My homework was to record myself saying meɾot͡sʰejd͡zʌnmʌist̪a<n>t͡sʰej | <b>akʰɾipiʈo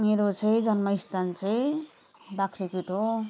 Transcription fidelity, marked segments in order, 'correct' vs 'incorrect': correct, correct

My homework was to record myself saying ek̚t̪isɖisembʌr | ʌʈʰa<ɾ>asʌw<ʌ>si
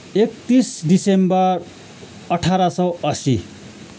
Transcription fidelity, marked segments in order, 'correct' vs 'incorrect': correct, correct

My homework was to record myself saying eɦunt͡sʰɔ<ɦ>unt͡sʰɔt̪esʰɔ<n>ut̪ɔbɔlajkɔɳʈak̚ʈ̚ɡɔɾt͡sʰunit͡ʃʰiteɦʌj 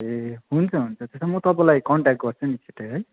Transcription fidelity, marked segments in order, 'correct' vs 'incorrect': correct, incorrect: m

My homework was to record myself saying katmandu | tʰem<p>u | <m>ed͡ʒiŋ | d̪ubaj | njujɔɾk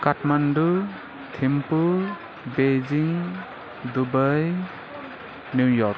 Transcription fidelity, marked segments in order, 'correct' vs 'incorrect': correct, incorrect: b

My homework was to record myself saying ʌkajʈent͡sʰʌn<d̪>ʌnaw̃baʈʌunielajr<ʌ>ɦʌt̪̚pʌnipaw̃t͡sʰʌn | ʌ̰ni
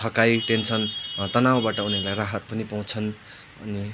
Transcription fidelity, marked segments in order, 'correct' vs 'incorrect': incorrect: t̪, incorrect: a

